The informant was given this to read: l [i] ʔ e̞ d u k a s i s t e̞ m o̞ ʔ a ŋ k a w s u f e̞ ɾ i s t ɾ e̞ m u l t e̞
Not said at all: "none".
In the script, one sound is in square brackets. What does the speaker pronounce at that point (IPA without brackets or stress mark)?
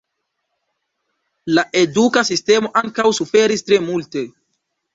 a